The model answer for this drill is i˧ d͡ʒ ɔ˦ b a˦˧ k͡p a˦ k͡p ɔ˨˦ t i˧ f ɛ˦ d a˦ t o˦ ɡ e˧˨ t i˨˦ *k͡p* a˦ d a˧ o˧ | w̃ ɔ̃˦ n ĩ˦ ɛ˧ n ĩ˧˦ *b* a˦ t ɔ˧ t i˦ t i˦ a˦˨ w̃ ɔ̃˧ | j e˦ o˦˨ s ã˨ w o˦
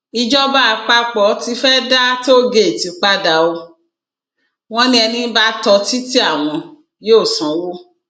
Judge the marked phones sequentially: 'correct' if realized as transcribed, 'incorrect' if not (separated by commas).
correct, correct